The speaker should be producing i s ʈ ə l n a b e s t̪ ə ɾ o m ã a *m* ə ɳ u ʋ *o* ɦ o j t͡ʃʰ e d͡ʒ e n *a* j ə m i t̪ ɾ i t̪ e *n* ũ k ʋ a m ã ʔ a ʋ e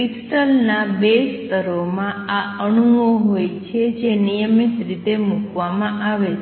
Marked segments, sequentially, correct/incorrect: incorrect: none, correct, incorrect: i, incorrect: m

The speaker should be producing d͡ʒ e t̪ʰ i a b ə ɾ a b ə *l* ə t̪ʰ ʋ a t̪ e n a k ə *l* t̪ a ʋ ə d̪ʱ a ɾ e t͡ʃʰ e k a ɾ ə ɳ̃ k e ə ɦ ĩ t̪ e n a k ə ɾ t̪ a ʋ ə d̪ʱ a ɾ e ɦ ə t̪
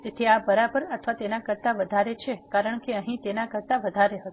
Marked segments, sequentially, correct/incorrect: incorrect: ɾ, incorrect: ɾ

